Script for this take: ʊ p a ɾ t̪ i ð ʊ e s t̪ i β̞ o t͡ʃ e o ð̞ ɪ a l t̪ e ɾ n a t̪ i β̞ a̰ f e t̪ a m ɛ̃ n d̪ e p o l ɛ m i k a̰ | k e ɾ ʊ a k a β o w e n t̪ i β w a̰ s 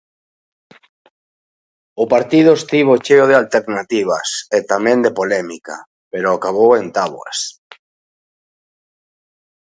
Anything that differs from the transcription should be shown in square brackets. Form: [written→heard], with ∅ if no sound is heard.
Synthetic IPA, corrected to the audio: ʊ p a ɾ t̪ i ð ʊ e s t̪ i β̞ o t͡ʃ e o ð̞ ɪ a l t̪ e ɾ n a t̪ i β̞ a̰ [f→s] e t̪ a m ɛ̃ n d̪ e p o l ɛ m i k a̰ | [k→p] e ɾ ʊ a k a β o w e n t̪ [i→a] β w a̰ s